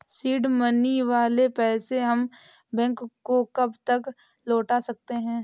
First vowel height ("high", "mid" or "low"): high